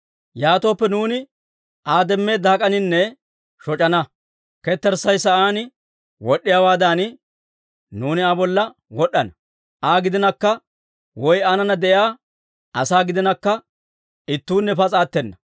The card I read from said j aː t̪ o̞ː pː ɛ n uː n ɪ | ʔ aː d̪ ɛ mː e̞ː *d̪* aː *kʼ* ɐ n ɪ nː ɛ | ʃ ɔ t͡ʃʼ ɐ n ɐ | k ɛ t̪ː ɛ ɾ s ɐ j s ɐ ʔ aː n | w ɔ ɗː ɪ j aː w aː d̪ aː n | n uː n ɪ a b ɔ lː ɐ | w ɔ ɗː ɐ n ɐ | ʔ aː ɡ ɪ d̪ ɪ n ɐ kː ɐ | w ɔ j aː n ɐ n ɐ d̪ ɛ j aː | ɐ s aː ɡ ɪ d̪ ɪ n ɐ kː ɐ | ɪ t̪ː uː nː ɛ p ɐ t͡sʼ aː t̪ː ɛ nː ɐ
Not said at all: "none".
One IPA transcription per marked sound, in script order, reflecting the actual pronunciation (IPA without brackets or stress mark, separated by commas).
d̪, kʼ